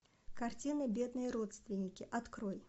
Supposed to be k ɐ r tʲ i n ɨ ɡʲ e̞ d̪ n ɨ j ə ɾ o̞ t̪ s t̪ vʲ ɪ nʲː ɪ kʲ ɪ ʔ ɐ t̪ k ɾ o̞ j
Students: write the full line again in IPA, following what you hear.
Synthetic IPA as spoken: k ɐ r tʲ i n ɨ bʲ e̞ d̪ n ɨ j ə ɾ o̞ t̪ s t̪ vʲ ɪ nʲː ɪ kʲ ɪ ʔ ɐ t̪ k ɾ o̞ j